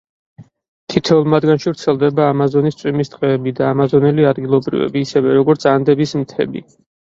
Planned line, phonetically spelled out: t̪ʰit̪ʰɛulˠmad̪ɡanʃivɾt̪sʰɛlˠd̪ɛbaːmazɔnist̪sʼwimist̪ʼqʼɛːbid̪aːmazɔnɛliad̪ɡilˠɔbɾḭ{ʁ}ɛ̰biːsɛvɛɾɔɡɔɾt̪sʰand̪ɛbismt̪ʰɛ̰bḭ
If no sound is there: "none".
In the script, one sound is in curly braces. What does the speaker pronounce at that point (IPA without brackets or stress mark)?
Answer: v